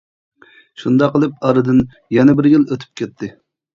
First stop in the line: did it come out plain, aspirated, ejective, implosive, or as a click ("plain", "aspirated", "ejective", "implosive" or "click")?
plain